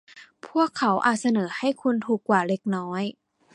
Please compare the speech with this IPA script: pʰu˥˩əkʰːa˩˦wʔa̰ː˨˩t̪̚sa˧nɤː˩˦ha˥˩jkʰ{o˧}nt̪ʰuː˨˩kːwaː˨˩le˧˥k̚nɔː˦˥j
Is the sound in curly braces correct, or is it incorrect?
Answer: incorrect